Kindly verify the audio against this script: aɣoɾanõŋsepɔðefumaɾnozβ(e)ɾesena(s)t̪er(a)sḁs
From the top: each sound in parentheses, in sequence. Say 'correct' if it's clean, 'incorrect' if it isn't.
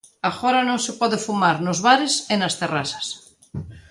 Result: incorrect, correct, correct

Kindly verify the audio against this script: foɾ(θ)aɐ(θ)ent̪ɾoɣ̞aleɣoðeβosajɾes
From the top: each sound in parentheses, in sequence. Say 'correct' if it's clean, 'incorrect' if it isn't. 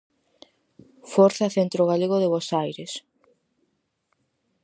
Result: correct, correct

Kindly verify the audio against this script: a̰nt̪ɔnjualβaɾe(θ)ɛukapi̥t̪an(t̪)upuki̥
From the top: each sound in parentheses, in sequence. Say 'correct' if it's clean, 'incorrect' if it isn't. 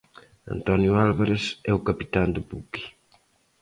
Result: incorrect, incorrect

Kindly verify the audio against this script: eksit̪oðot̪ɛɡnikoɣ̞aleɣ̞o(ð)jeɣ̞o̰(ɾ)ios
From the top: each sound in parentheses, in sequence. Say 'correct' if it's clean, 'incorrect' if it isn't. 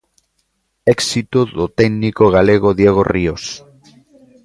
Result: correct, incorrect

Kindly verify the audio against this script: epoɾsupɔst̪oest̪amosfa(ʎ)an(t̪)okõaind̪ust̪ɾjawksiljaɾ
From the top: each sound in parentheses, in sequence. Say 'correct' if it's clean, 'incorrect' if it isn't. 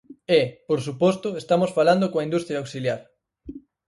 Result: incorrect, incorrect

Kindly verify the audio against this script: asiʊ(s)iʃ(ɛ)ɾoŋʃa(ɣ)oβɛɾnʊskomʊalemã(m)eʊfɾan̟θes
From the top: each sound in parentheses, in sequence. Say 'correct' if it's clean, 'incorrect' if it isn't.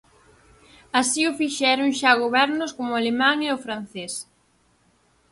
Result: incorrect, correct, correct, incorrect

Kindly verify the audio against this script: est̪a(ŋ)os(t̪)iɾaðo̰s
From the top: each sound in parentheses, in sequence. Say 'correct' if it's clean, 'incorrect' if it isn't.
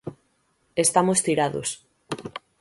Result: incorrect, correct

